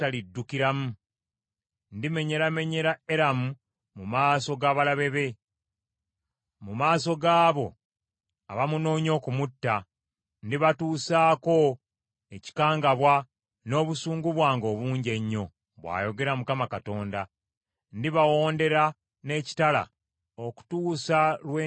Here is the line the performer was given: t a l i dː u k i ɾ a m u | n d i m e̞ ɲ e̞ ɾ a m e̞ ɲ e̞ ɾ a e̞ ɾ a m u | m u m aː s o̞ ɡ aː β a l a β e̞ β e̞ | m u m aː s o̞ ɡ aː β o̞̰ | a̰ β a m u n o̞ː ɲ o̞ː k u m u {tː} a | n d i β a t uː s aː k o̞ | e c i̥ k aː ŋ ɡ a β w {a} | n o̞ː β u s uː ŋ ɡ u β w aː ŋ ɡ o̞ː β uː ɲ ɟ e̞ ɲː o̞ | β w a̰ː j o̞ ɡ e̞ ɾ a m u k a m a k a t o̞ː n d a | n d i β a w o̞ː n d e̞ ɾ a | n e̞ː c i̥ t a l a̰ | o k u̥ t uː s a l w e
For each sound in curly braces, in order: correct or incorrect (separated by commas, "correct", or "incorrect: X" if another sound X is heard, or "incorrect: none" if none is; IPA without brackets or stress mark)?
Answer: correct, correct